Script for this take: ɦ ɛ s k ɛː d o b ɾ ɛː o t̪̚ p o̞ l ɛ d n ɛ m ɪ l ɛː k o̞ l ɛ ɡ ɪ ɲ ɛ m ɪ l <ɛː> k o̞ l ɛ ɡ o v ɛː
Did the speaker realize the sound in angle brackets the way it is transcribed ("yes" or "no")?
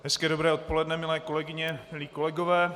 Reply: no